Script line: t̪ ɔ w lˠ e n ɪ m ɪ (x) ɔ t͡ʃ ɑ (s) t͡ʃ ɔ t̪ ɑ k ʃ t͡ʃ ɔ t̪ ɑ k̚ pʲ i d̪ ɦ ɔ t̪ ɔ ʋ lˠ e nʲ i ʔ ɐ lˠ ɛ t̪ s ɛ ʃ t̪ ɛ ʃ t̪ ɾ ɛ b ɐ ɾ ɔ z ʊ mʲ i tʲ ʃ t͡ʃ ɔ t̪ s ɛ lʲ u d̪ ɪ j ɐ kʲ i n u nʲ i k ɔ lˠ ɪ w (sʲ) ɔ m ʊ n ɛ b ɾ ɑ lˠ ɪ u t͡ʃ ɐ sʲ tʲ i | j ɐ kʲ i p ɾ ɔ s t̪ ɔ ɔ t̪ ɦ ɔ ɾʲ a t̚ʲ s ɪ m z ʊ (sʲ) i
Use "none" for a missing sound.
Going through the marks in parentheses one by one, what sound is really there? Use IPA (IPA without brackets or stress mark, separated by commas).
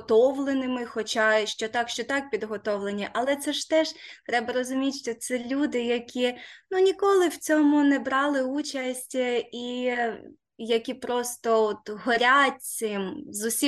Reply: x, ʃ, t͡sʲ, sʲ